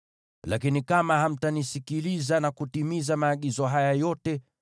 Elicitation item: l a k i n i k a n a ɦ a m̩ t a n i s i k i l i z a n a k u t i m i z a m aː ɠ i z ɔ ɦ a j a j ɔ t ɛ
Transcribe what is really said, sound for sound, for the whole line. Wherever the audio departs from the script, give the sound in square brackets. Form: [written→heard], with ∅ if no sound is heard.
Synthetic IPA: l a k i n i k a [n→m] a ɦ a m̩ t a n i s i k i l i z a n a k u t i m i z a m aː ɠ i z ɔ ɦ a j a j ɔ t ɛ

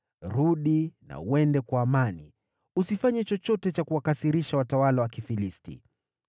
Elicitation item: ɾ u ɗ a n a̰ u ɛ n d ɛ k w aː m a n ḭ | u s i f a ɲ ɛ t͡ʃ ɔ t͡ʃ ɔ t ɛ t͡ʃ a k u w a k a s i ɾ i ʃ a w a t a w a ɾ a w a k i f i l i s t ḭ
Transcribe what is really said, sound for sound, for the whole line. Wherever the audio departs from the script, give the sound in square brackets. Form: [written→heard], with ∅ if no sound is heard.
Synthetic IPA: ɾ u ɗ [a→i] n a̰ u ɛ n d ɛ k w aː m a n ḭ | u s i f a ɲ ɛ t͡ʃ ɔ t͡ʃ ɔ t ɛ t͡ʃ a k u w a k a s i ɾ i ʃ a w a t a w a [ɾ→l] a w a k i f i l i s t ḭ

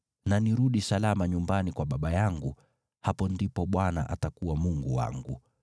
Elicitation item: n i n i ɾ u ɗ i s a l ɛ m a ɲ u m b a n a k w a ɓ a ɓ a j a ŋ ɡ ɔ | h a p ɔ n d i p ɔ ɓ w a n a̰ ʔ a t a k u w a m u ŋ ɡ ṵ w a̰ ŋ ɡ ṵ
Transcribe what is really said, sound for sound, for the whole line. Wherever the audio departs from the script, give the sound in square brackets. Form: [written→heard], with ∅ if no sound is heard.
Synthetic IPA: n [i→a] n i ɾ u ɗ i s a l [ɛ→a] m a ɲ u m b a n [a→i] k w a ɓ a ɓ a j a ŋ ɡ [ɔ→u] | h a p ɔ n d i p ɔ ɓ w a n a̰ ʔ a t a k u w a m u ŋ ɡ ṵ w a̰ ŋ ɡ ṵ

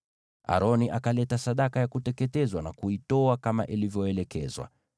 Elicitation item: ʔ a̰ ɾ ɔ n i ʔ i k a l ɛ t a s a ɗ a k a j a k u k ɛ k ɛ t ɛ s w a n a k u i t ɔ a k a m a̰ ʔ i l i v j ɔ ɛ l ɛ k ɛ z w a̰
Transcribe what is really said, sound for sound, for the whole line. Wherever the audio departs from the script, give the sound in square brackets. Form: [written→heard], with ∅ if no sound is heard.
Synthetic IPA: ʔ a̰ ɾ ɔ n i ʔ [i→a] k a l ɛ t a s a ɗ a k a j a k u [k→t] ɛ k ɛ t ɛ [s→z] w a n a k u i t ɔ a k a m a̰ ʔ i l i v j ɔ ɛ l ɛ k ɛ z w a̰

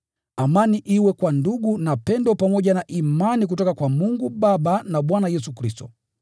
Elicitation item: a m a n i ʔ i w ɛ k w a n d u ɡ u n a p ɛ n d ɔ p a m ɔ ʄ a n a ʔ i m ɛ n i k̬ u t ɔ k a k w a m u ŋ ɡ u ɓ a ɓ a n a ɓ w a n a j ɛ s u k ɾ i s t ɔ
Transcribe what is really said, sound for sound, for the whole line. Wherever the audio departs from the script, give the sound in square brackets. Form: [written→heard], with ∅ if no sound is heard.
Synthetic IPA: a m a n i ʔ i w ɛ k w a n d u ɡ u n a p ɛ n d ɔ p a m ɔ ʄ a n a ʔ i m [ɛ→a] n i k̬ u t ɔ k a k w a m u ŋ ɡ u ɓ a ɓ a n a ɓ w a n a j ɛ s u k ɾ i s t ɔ

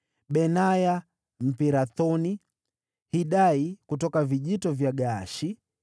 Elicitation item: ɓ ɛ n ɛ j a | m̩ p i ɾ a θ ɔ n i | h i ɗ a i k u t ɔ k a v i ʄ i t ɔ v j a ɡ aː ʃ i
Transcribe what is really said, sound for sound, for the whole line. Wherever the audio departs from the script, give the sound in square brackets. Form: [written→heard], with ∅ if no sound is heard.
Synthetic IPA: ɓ ɛ n [ɛ→a] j a | m̩ p i ɾ a θ ɔ n i | h i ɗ a i k u t ɔ k a v i ʄ i t ɔ v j a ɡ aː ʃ i

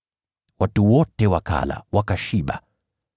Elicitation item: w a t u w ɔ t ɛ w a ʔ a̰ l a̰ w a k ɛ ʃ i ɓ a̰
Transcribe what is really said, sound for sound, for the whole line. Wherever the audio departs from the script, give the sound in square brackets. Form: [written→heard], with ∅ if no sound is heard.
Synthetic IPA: w a t u w ɔ t ɛ w a [ʔ→k] a̰ l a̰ w a k [ɛ→a] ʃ i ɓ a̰

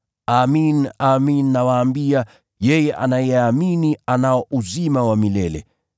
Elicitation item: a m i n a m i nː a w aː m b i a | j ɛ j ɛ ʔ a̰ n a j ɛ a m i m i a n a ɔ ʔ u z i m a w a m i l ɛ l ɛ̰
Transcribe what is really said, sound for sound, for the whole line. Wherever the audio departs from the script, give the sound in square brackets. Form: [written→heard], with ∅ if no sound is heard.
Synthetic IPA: a m i n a m i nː a w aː m b i a | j ɛ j ɛ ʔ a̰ n a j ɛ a m i [m→n] i a n a ɔ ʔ u z i m a w a m i l ɛ l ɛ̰

